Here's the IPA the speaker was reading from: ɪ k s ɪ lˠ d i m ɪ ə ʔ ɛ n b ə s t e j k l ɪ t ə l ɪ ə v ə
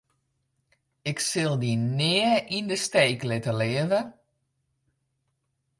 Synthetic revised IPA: ɪ k s ɪ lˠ d i n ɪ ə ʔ i n d ə s t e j k l ɪ t ə l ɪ ə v ə